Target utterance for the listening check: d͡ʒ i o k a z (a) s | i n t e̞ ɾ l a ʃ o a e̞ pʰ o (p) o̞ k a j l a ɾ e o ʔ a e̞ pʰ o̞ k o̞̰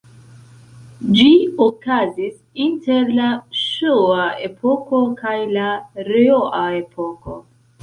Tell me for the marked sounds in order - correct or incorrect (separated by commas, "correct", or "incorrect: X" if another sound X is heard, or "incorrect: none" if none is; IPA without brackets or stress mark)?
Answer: incorrect: i, incorrect: k